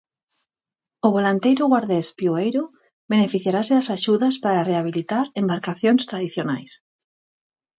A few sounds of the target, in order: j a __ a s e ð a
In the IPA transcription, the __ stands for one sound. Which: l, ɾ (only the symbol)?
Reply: ɾ